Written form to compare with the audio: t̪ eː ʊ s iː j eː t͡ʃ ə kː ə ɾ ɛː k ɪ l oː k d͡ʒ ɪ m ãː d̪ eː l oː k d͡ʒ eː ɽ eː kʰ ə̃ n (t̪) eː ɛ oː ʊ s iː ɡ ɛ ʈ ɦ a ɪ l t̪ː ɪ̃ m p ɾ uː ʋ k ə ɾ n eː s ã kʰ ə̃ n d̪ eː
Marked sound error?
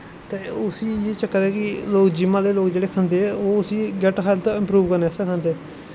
yes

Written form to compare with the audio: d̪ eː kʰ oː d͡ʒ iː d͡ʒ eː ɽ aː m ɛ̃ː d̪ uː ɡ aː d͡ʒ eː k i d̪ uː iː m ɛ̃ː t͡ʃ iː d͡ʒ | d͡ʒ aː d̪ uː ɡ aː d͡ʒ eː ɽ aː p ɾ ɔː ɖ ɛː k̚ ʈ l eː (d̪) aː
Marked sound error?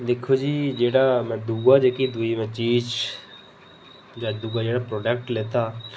yes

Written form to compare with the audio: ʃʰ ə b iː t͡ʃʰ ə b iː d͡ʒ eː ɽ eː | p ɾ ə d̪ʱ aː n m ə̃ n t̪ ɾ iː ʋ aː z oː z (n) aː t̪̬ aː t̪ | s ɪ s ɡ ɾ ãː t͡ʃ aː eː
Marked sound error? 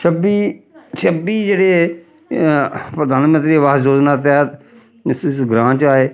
no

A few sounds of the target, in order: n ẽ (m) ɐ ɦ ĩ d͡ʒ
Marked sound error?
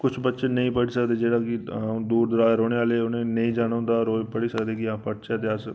yes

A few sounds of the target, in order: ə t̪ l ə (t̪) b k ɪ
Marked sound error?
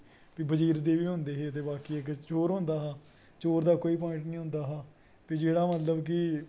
yes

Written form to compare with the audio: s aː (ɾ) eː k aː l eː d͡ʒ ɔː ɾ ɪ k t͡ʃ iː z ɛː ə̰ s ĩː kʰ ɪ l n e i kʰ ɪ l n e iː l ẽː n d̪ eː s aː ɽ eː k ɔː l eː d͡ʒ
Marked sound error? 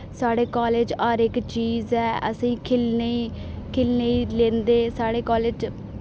yes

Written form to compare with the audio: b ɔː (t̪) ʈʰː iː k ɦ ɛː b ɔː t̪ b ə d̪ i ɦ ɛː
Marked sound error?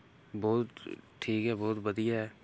no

